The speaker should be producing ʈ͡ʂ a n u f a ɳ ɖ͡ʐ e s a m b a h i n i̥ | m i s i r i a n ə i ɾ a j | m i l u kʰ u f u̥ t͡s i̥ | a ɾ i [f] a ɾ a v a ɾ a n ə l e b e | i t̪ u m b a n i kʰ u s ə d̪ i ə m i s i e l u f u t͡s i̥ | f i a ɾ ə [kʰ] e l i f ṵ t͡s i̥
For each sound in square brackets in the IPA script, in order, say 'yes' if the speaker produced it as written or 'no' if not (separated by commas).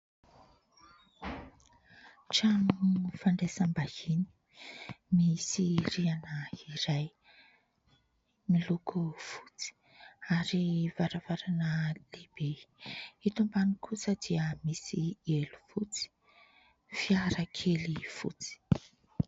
no, yes